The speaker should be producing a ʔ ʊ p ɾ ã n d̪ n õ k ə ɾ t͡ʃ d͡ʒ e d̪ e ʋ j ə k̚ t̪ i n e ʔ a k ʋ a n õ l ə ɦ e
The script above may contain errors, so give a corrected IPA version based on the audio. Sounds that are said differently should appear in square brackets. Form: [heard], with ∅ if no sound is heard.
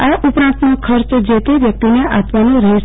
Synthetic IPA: a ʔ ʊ p ɾ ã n [t̪] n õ [kʰ] ə ɾ t͡ʃ d͡ʒ e [t̪] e ʋ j ə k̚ t̪ i n e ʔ a [p] ʋ a n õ [ɾ] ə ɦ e